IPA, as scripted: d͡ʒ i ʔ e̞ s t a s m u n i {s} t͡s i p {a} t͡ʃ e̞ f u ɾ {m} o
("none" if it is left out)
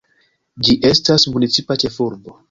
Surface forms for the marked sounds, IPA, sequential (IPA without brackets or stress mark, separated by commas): none, a, b